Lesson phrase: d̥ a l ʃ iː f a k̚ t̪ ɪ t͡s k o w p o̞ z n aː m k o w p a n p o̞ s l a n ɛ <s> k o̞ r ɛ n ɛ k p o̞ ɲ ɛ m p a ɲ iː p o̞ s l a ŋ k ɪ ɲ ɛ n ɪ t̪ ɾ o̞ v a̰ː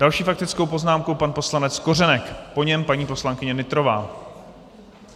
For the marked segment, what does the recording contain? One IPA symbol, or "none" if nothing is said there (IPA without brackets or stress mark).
t͡s